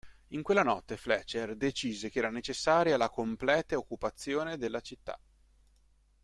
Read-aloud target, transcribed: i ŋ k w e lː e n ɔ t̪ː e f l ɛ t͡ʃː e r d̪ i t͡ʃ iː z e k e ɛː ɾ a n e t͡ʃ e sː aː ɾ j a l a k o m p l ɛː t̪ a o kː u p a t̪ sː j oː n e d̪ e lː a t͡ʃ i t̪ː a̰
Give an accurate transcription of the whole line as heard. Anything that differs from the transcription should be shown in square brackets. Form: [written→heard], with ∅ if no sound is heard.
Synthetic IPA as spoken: i ŋ k w e lː [e→a] n ɔ t̪ː e f l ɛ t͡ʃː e r d̪ [i→e] t͡ʃ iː z e k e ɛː ɾ a n e t͡ʃ e sː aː ɾ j a l a k o m p l ɛː t̪ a o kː u p a t̪ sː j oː n e d̪ e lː a t͡ʃ i t̪ː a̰